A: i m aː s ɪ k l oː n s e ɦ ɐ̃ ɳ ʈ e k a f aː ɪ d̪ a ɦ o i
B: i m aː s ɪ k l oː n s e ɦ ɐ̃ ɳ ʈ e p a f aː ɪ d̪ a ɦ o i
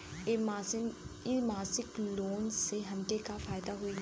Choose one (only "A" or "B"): A